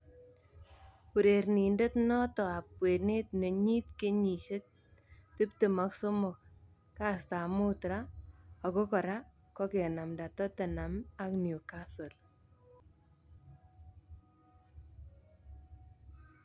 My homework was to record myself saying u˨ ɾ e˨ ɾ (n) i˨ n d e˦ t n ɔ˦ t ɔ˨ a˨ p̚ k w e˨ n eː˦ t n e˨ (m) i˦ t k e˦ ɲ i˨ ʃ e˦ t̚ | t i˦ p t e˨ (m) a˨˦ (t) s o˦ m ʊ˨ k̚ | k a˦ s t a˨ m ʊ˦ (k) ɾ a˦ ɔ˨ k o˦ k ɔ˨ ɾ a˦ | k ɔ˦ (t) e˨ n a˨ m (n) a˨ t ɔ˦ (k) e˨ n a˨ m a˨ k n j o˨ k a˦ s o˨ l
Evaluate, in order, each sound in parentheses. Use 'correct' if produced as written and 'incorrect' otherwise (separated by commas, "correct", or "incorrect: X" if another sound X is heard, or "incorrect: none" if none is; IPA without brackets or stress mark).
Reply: correct, incorrect: ɲ, correct, incorrect: k, incorrect: t, incorrect: k, incorrect: d, incorrect: t